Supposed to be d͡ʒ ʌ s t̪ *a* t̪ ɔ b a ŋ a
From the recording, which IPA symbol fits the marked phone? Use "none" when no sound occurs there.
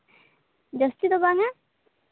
i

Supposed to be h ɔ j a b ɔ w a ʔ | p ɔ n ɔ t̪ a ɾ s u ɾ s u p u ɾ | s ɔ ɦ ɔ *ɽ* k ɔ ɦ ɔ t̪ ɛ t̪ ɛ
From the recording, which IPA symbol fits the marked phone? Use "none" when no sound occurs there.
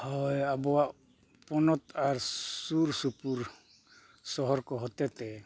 ɾ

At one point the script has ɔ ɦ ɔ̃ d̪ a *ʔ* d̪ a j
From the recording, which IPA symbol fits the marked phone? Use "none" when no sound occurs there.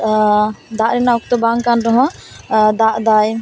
ʔ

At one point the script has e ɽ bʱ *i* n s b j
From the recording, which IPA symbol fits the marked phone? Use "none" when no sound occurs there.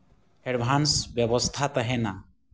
a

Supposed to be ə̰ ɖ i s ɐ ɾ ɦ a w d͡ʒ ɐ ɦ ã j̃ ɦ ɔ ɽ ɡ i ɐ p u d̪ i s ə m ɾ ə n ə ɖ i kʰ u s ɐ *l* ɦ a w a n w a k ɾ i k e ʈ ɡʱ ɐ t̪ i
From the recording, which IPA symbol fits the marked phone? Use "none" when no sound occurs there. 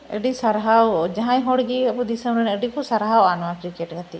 ɾ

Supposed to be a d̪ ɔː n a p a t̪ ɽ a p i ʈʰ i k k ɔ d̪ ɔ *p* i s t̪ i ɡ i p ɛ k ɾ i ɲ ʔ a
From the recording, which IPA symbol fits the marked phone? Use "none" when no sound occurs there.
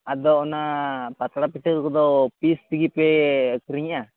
p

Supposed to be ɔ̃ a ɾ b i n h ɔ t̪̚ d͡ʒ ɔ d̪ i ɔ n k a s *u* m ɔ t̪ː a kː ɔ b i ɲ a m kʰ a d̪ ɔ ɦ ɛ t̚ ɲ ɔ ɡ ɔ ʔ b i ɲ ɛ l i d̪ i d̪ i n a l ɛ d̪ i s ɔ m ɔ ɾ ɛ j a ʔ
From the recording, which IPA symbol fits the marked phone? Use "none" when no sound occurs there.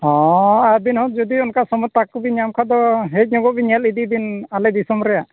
ɔ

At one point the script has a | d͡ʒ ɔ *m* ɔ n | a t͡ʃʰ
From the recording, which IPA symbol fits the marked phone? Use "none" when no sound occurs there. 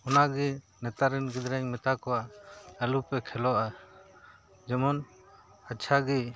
m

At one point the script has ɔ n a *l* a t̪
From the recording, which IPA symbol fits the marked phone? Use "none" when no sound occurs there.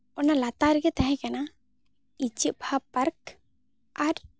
l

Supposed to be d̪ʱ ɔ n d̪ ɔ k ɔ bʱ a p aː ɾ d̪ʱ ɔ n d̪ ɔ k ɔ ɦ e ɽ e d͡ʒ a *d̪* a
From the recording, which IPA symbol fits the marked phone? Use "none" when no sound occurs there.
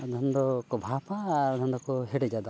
d̪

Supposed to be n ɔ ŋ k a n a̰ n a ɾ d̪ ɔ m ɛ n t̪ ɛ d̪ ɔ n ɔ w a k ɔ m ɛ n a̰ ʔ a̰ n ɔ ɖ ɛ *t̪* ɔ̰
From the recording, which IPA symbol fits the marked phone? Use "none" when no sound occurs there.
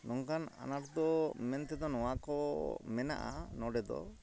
d̪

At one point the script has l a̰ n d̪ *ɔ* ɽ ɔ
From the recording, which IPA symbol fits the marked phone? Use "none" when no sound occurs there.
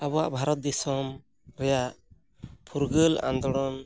ɔ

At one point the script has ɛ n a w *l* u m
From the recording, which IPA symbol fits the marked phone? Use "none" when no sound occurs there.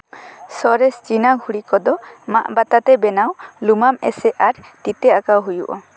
l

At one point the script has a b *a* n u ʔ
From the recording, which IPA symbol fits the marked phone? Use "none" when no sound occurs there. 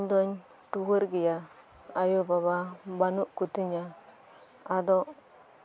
a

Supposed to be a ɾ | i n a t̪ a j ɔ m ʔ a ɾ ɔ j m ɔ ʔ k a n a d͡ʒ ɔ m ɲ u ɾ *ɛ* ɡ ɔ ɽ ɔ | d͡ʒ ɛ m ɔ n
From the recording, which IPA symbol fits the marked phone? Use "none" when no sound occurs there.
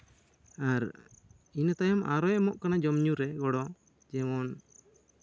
ɛ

